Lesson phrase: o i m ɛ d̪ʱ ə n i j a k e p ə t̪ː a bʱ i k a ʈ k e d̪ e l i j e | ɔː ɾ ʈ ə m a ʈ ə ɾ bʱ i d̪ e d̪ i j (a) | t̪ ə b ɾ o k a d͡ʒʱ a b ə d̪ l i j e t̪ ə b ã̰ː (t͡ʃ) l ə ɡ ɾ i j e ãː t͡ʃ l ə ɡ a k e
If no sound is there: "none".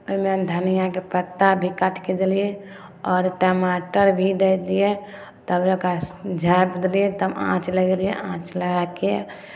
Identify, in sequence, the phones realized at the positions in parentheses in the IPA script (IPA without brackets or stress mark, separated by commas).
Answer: e, t͡ʃ